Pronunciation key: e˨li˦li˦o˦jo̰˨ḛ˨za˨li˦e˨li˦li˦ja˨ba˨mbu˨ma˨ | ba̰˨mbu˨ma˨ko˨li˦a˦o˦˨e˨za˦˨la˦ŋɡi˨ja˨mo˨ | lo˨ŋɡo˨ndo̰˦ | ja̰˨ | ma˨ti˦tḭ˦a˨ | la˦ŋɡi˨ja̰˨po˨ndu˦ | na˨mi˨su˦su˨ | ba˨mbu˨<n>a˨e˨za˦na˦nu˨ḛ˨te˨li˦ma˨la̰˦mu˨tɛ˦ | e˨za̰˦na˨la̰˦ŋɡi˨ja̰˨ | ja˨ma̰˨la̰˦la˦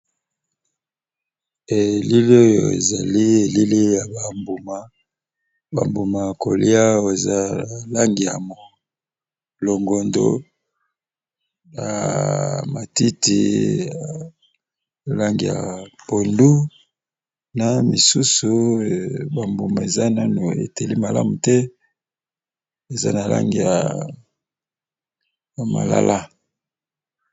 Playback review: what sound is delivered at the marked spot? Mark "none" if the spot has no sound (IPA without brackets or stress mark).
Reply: m